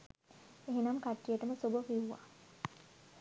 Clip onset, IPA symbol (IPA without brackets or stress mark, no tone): e